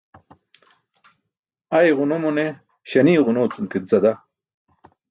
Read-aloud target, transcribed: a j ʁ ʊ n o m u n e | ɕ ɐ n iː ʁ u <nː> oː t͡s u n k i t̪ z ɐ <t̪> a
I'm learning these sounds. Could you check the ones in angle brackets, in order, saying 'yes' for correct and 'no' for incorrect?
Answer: no, no

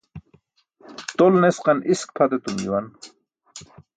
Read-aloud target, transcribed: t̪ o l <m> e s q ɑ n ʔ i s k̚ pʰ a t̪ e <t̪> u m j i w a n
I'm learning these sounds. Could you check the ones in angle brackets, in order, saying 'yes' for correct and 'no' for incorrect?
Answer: no, yes

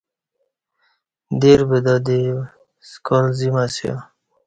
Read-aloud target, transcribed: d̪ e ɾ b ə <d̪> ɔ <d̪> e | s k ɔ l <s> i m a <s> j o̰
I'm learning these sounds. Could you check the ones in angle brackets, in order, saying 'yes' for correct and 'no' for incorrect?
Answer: yes, yes, no, yes

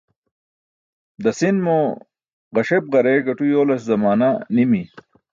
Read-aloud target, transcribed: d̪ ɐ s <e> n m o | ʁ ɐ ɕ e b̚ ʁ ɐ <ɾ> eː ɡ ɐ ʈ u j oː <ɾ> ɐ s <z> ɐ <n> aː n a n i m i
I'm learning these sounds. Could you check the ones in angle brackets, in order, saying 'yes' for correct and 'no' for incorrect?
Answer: no, yes, no, yes, no

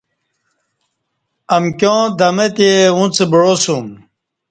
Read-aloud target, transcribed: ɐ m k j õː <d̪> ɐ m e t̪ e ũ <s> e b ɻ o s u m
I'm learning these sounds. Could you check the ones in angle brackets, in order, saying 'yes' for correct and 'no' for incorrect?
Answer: yes, no

